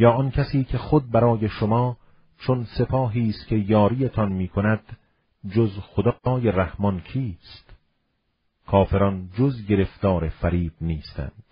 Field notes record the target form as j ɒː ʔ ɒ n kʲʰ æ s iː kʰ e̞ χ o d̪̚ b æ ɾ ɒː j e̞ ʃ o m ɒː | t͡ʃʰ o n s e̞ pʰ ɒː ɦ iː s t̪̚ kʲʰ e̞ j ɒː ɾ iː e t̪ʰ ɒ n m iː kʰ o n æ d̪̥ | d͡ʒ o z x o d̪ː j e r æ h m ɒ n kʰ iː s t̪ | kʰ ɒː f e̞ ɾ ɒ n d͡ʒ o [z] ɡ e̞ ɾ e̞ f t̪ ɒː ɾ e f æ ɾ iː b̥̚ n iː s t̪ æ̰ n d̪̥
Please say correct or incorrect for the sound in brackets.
correct